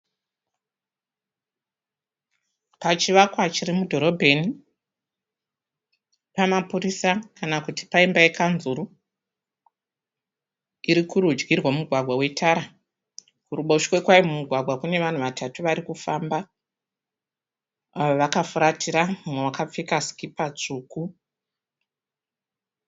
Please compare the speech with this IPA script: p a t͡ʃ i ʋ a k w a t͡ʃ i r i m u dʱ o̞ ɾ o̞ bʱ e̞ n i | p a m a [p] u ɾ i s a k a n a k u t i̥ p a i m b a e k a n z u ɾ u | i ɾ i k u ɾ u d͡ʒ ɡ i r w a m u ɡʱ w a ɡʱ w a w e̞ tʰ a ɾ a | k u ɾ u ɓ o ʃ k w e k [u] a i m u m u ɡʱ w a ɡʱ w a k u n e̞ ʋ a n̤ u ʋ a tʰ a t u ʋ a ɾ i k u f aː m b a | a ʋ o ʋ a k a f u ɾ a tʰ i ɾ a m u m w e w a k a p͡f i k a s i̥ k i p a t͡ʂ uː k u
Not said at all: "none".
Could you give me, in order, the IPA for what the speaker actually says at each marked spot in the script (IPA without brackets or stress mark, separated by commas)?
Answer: p, w